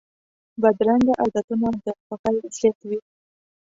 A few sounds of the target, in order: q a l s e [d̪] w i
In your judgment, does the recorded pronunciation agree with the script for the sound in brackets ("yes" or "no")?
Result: no